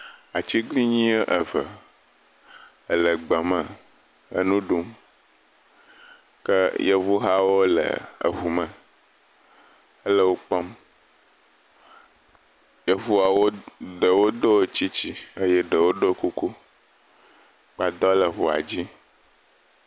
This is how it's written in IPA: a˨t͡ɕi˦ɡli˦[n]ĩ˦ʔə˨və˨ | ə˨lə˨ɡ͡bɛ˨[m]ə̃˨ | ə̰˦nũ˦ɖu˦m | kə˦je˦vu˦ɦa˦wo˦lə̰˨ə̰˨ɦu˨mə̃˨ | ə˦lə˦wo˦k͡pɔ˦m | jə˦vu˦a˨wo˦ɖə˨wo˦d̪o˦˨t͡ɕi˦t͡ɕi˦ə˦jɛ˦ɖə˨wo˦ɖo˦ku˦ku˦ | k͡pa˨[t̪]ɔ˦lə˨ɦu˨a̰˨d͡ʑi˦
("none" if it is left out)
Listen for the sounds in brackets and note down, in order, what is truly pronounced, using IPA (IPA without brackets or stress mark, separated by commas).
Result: ɲ, m, d̪